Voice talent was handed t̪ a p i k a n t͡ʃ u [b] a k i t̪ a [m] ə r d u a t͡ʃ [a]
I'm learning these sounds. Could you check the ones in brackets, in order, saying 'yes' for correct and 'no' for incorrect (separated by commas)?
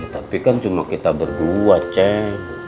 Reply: no, no, no